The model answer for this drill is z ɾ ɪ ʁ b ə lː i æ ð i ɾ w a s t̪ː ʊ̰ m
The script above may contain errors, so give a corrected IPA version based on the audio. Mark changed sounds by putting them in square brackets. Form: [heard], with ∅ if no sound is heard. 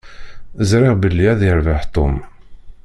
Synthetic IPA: z ɾ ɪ ʁ b ə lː i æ ð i ɾ [v] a [ħ] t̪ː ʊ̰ m